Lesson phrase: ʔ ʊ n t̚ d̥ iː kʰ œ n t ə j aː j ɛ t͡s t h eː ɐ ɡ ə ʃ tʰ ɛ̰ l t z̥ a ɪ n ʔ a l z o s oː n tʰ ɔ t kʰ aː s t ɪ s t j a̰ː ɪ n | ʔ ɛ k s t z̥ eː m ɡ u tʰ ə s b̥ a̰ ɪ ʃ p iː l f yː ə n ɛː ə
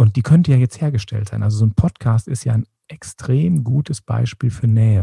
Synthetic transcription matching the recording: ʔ ʊ n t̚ d̥ iː kʰ œ n t ə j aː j ɛ t͡s t h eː ɐ ɡ ə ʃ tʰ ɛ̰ l t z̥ a ɪ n ʔ a l z o z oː n pʰ ɔ t kʰ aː s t ɪ s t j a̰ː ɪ n | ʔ ɛ k s t ʁ̥ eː m ɡ uː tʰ ə s b̥ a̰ ɪ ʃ p iː l f yː ɐ n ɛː ə